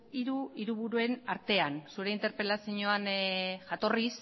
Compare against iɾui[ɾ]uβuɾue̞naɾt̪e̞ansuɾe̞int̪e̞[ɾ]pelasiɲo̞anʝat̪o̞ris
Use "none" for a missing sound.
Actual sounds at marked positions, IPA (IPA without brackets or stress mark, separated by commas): ɾ, ɾ